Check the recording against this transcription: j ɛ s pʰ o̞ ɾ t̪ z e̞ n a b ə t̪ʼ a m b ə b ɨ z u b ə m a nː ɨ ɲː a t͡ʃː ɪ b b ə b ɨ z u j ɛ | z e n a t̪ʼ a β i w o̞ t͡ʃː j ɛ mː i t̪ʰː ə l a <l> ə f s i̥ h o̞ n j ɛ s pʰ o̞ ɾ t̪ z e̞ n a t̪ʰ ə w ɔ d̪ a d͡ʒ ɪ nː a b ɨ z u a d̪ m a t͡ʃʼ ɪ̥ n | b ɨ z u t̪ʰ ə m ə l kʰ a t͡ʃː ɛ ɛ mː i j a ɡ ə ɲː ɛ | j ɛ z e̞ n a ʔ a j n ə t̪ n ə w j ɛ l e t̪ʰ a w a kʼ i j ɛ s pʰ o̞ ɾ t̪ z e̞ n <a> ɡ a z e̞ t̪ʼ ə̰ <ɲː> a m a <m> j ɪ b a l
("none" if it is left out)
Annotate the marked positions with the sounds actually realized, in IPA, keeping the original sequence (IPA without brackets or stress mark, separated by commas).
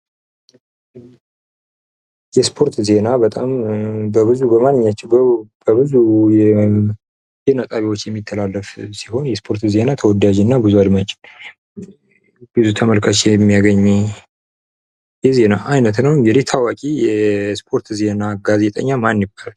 lː, a, ɲː, n